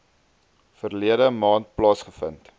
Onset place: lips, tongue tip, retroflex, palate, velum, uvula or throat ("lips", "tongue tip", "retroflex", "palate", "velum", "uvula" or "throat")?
lips